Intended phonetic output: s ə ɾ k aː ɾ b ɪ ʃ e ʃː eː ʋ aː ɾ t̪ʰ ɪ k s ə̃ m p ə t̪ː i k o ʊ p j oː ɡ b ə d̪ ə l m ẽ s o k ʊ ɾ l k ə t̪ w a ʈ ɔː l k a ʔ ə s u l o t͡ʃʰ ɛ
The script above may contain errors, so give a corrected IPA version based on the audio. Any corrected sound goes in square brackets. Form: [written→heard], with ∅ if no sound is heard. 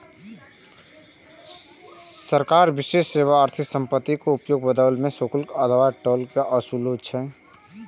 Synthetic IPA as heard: s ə ɾ k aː ɾ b ɪ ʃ e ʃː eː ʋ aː ɾ t̪ʰ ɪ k s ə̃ m p ə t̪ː i k o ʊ p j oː ɡ b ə d̪ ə l m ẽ s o k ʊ [ɾ→∅] l k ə [t̪→d̪] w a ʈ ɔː l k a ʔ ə s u l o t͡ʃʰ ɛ